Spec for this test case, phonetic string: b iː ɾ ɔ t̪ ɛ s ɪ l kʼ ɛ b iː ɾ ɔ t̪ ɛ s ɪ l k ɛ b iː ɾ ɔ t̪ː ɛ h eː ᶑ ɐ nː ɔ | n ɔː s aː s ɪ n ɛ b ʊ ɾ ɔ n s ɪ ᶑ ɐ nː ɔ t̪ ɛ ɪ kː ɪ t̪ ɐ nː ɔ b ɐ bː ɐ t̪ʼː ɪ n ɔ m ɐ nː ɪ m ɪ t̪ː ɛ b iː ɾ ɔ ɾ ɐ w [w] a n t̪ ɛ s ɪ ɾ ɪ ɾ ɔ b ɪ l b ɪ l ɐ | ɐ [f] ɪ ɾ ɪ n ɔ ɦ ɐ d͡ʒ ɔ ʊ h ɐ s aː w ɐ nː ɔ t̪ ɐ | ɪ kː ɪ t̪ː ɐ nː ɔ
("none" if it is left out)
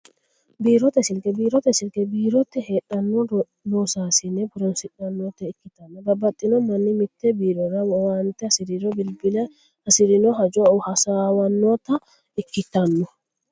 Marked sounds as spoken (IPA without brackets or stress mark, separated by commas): w, s